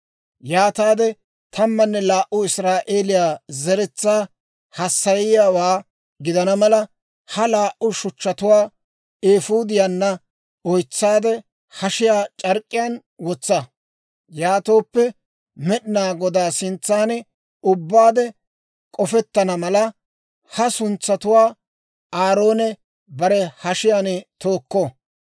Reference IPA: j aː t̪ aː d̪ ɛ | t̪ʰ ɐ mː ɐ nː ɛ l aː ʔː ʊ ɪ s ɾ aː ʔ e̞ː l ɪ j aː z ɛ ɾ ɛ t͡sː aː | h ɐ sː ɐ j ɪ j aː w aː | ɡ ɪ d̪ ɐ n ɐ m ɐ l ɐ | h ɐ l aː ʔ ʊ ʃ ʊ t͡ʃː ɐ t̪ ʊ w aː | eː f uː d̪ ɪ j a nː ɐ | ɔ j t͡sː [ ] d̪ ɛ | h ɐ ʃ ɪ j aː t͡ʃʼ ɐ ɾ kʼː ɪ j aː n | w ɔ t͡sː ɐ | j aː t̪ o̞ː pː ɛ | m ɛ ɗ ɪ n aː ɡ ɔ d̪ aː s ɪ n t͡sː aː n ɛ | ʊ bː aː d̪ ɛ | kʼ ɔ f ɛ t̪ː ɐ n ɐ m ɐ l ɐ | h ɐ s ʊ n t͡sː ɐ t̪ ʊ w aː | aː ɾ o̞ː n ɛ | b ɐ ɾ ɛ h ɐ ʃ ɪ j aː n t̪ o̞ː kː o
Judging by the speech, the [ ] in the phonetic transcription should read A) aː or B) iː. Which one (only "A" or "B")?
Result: A